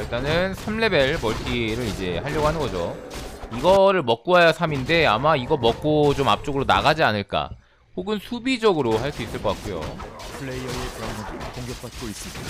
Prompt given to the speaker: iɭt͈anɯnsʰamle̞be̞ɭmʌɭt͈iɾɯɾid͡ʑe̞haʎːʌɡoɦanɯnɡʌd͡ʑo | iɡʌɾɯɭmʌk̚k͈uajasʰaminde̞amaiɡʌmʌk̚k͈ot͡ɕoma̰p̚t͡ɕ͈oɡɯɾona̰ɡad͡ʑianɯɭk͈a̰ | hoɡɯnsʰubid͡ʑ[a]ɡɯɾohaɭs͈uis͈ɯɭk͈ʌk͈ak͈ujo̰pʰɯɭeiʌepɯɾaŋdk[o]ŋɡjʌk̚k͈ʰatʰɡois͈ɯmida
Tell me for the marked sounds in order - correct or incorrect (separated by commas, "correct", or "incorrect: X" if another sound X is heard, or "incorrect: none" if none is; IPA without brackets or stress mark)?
incorrect: ʌ, correct